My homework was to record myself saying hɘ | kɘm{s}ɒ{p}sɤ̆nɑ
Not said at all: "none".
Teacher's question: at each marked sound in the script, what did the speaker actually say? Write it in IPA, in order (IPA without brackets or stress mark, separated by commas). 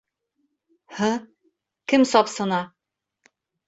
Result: s, p